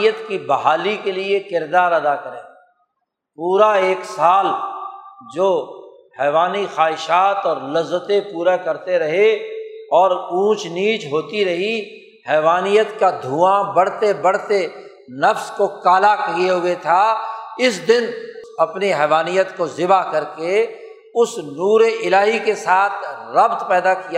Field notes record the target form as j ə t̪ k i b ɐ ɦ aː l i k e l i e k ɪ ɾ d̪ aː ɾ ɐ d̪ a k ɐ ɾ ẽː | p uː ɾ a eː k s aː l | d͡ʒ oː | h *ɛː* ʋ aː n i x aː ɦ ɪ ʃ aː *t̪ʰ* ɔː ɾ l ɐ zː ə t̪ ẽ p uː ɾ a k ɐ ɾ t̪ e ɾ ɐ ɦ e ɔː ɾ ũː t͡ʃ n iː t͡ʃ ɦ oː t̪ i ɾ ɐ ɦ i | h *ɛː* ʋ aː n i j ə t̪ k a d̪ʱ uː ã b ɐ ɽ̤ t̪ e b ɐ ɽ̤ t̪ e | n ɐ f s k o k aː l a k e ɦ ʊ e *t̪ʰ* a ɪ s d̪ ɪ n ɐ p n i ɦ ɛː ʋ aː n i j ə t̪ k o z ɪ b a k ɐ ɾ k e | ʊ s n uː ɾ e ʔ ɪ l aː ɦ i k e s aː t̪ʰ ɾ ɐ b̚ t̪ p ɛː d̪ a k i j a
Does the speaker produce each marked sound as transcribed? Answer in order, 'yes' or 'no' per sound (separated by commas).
yes, no, yes, yes